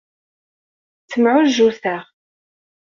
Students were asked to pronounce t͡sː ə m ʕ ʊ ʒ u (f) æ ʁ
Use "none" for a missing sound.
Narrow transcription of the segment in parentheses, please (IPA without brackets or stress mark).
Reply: θ